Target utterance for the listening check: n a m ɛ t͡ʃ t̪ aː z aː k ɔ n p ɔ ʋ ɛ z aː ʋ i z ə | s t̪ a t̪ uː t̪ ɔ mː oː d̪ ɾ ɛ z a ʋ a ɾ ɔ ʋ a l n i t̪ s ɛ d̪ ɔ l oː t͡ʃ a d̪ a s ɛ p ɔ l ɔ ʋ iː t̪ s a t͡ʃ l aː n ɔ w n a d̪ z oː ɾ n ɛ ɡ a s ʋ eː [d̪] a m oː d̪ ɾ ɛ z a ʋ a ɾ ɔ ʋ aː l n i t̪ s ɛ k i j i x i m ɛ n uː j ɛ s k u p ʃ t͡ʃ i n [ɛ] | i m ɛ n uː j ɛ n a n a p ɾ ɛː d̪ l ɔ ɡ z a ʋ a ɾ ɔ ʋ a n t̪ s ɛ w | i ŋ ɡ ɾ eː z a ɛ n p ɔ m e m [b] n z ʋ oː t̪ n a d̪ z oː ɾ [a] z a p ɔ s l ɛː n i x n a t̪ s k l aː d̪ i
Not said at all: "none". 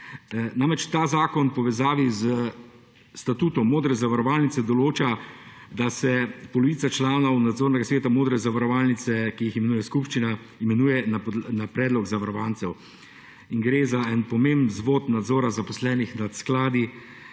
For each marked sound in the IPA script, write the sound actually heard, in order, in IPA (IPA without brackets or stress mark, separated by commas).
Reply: t̪, a, b, a